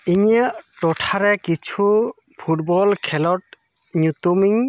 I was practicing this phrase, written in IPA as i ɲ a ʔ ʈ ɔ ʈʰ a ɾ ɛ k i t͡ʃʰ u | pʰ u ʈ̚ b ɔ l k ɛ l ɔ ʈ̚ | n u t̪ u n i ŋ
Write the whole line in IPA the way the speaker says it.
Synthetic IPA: i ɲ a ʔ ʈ ɔ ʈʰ a ɾ ɛ k i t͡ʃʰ u | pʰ u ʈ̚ b ɔ l kʰ ɛ l ɔ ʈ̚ | ɲ u t̪ u m i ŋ